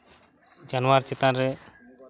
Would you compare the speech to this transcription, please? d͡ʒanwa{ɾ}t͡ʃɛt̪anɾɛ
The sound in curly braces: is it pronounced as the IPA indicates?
yes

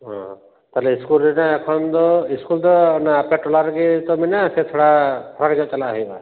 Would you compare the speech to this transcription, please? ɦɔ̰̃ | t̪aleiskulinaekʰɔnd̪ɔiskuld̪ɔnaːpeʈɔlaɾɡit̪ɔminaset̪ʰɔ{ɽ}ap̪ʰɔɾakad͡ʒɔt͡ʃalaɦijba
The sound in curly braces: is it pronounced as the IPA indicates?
yes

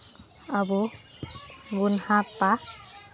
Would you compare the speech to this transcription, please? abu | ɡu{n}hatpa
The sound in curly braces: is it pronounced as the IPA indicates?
yes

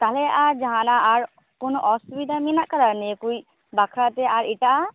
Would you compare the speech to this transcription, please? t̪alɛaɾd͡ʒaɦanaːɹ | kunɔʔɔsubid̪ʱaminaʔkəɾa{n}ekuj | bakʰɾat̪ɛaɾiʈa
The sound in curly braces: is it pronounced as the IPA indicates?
yes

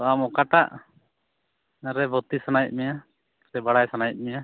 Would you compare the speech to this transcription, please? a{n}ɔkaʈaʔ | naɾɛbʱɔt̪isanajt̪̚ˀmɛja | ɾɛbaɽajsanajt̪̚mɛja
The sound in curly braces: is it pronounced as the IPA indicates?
no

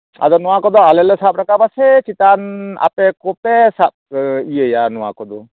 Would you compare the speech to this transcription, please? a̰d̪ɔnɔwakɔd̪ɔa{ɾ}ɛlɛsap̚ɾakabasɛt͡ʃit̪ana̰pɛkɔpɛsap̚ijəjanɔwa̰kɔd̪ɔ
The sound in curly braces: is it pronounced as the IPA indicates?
no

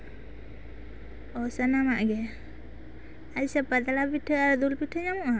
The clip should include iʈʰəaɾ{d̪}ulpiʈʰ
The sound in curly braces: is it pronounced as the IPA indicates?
yes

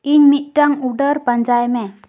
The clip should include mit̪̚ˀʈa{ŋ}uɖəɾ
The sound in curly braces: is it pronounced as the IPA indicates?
yes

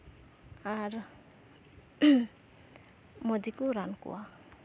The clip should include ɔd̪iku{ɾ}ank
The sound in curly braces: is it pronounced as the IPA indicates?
yes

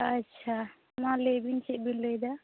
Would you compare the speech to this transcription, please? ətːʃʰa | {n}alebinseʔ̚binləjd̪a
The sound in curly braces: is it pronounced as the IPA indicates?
no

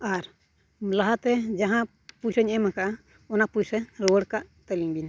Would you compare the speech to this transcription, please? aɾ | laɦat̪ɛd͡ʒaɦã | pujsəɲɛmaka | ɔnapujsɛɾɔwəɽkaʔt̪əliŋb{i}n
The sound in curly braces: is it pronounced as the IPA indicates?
yes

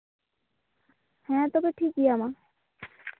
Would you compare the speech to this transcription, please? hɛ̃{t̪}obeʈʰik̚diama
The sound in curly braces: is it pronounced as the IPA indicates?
yes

